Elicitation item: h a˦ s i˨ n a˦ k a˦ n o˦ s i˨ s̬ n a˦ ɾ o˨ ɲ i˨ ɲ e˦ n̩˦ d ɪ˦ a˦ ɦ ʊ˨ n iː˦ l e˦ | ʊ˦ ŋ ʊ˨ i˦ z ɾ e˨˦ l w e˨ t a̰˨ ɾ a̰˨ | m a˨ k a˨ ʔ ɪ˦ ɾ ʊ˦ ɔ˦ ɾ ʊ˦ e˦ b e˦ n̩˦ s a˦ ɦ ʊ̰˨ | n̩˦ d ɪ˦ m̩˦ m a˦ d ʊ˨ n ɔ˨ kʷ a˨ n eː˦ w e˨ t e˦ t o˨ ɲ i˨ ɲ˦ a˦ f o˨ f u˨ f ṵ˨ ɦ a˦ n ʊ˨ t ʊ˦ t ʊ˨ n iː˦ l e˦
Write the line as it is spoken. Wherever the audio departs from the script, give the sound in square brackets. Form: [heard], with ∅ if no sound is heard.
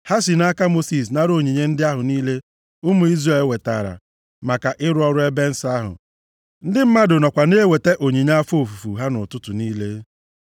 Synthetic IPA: h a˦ s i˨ n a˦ k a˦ [m] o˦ s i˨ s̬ n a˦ ɾ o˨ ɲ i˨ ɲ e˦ n̩˦ d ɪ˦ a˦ ɦ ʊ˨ n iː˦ l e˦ | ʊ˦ [m] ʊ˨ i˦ z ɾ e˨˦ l w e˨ t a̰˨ ɾ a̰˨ | m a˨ k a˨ ʔ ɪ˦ ɾ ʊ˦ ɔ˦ ɾ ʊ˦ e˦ b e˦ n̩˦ s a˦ ɦ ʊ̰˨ | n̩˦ d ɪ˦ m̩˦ m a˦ d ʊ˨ n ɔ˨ kʷ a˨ n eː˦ w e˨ t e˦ [ʔ] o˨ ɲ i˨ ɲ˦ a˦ f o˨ f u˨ f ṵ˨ ɦ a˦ n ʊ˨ t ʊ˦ t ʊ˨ n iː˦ l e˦